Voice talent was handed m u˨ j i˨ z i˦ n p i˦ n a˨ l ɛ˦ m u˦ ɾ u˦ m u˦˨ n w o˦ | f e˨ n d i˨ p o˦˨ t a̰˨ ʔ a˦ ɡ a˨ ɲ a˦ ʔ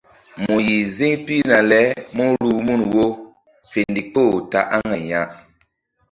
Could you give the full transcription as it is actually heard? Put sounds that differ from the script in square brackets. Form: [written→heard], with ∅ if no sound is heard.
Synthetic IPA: m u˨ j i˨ z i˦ [n→ŋ] p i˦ n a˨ l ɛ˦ m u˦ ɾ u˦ m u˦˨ n w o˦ | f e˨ n d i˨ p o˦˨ t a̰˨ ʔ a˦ [ɡ→ŋ] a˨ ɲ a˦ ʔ